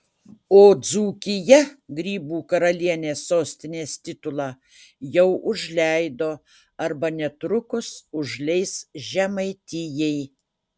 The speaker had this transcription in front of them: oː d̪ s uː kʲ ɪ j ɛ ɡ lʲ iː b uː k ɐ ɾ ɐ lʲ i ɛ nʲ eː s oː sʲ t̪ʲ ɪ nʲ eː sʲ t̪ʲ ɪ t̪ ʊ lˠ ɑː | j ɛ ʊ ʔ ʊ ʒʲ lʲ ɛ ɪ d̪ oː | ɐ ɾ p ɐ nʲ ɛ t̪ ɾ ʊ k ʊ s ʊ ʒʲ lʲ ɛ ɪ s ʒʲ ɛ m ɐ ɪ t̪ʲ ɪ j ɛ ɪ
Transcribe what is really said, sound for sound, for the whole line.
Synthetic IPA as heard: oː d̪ z uː kʲ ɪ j ɛ ɡ ɾʲ iː b uː k ɐ ɾ ɐ lʲ i ɛ nʲ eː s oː sʲ t̪ʲ ɪ nʲ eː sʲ t̪ʲ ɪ t̪ ʊ lˠ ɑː | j ɛ ʊ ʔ ʊ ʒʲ lʲ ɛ ɪ d̪ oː | ɐ ɾ b ɐ nʲ ɛ t̪ ɾ ʊ k ʊ s ʊ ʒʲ lʲ ɛ ɪ s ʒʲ ɛ m ɐ ɪ t̪ʲ ɪ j ɛ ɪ

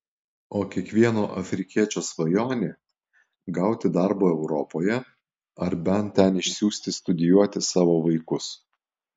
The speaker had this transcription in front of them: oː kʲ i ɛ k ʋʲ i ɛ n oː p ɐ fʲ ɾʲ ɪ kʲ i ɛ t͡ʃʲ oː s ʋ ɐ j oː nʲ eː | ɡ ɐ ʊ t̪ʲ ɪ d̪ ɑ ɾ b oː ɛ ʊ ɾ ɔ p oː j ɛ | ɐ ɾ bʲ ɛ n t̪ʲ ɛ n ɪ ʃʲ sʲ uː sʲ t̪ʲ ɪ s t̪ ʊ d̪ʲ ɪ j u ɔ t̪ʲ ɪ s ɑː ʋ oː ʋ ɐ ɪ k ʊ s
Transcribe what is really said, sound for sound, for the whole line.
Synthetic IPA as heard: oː kʲ i ɛ k ʋʲ i ɛ n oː ʔ ɐ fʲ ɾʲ ɪ kʲ i ɛ t͡ʃʲ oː s ʋ ɐ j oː nʲ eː | ɡ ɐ ʊ t̪ʲ ɪ d̪ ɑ ɾ b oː ɛ ʊ ɾ ɔ p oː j ɛ | ɐ ɾ bʲ ɛ n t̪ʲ ɛ n ɪ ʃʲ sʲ uː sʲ t̪ʲ ɪ s t̪ ʊ d̪ʲ ɪ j u ɔ t̪ʲ ɪ s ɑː ʋ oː ʋ ɐ ɪ k ʊ s

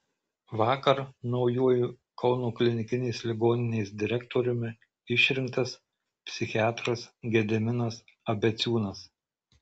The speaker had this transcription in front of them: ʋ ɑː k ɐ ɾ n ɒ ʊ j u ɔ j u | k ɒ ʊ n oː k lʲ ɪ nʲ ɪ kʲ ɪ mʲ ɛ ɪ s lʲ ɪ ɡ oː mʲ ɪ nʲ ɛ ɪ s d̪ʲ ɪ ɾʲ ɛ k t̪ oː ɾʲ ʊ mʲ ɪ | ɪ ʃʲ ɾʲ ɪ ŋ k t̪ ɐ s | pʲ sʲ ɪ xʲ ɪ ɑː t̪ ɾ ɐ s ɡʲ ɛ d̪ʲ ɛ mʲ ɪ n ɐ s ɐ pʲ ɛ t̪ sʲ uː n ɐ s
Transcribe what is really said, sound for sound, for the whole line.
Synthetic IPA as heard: ʋ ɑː k ɐ ɾ n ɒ ʊ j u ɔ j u | k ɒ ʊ n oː k lʲ ɪ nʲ ɪ kʲ ɪ nʲ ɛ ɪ s lʲ ɪ ɡ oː nʲ ɪ nʲ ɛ ɪ s d̪ʲ ɪ ɾʲ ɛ k t̪ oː ɾʲ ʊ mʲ ɪ | ɪ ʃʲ ɾʲ ɪ ŋ k t̪ ɐ s | pʲ sʲ ɪ xʲ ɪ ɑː t̪ ɾ ɐ s ɡʲ ɛ d̪ʲ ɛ mʲ ɪ n ɐ s ɐ bʲ ɛ t̪ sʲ uː n ɐ s

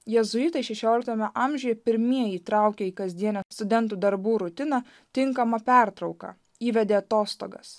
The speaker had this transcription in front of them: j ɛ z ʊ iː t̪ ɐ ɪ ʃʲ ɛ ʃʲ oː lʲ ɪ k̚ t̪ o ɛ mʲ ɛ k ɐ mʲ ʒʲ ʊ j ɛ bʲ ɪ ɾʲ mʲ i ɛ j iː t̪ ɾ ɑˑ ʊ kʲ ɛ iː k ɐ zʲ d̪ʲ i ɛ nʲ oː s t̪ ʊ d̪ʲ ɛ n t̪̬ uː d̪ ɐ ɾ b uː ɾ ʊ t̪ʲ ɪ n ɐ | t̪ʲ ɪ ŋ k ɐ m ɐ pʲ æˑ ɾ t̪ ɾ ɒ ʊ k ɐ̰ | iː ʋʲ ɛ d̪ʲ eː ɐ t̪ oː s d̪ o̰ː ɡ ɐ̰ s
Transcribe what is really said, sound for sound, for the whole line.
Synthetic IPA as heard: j ɛ z ʊ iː t̪ ɐ ɪ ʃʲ ɛ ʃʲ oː lʲ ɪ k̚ t̪ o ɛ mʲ ɛ ʔ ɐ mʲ ʒʲ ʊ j ɛ pʲ ɪ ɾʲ mʲ i ɛ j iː t̪ ɾ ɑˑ ʊ kʲ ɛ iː k ɐ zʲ d̪ʲ i ɛ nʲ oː s t̪ ʊ d̪ʲ ɛ n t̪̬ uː d̪ ɐ ɾ b uː ɾ ʊ t̪ʲ ɪ n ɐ | t̪ʲ ɪ ŋ k ɐ m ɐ pʲ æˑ ɾ t̪ ɾ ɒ ʊ k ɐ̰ | iː ʋʲ ɛ d̪ʲ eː ɐ t̪ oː s t̪ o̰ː ɡ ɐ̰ s

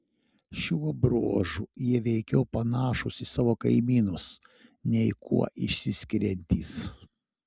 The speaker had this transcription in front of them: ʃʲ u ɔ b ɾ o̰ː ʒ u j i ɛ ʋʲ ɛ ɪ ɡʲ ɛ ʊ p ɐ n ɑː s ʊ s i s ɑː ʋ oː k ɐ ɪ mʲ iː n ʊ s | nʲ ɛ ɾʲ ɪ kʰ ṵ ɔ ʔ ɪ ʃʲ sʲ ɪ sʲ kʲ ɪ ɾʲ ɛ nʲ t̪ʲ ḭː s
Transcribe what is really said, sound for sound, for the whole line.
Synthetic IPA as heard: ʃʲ u ɔ b ɾ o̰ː ʒ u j i ɛ ʋʲ ɛ ɪ kʲ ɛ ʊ p ɐ n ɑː ʃ ʊ s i s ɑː ʋ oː k ɐ ɪ mʲ iː n ʊ s | nʲ ɛ ɪ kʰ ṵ ɔ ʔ ɪ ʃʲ sʲ ɪ sʲ kʲ ɪ ɾʲ ɛ nʲ t̪ʲ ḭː s

